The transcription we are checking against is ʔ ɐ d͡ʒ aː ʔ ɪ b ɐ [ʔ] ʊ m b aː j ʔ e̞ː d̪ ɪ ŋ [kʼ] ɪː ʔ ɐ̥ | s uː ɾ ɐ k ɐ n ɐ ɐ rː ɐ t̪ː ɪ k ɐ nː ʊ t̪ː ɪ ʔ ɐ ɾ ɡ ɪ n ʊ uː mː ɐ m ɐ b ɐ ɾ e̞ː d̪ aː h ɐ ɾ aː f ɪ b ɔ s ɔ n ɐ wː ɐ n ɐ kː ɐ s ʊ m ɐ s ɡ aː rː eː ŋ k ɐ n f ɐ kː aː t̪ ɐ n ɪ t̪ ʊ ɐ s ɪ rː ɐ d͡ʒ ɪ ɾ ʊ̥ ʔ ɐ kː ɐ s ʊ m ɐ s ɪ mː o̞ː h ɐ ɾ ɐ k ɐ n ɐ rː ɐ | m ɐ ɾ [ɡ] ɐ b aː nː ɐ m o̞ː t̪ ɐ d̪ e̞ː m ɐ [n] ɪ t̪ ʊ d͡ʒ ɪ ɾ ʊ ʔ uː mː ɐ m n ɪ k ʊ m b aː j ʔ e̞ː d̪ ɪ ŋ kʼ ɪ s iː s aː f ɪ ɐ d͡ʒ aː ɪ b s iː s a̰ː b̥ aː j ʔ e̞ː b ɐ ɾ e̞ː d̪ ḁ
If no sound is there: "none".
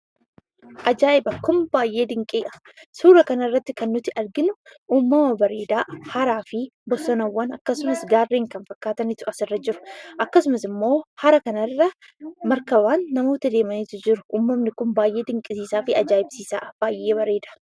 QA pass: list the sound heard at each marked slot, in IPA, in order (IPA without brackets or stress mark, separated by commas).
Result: k, kʼ, k, n